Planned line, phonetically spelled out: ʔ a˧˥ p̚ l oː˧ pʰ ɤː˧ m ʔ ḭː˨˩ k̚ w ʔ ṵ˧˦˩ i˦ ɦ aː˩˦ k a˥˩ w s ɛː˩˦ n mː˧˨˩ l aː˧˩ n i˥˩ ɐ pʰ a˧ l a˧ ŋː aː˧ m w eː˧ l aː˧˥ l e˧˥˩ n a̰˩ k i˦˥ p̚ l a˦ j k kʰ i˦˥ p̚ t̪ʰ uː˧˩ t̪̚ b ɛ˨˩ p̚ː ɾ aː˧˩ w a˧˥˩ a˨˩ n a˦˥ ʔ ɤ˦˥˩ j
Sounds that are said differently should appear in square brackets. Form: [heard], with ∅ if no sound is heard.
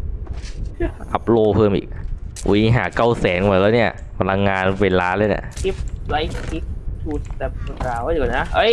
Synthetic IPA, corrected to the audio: ʔ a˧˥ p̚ l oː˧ pʰ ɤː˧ m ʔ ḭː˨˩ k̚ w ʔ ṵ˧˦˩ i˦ ɦ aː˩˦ k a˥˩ w s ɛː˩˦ n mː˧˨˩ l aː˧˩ n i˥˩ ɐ pʰ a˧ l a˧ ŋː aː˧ [n] w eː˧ l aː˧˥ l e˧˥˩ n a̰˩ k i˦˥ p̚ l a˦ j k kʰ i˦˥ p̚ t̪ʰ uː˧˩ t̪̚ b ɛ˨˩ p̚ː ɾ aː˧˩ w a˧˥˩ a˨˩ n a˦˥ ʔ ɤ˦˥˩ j